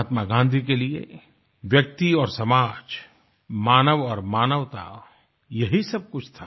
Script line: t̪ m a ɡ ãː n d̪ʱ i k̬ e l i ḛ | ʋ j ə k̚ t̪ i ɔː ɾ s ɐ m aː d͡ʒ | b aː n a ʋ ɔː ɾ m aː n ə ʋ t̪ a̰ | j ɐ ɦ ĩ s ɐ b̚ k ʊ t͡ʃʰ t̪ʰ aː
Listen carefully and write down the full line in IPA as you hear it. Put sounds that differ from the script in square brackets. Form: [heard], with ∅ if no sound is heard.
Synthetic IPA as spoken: t̪ m a ɡ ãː n d̪ʱ i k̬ e l i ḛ | ʋ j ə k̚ t̪ i ɔː ɾ s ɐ m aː d͡ʒ | [m] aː n [ə] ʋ ɔː ɾ m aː n ə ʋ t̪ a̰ | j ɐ ɦ [i] s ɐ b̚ k ʊ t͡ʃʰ t̪ʰ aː